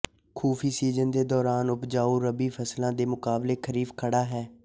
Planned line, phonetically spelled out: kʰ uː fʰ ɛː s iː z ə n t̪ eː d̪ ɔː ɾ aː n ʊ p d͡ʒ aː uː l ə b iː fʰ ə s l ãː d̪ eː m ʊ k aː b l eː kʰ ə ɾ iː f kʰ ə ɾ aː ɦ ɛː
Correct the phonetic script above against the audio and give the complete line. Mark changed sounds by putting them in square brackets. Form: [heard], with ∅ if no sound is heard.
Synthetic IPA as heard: kʰ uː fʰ [iː] s iː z ə n [d̪] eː d̪ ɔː ɾ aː n ʊ p d͡ʒ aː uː [ɾ] ə b iː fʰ ə s l ãː d̪ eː m ʊ k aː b l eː kʰ ə ɾ iː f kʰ ə [ɽ] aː ɦ ɛː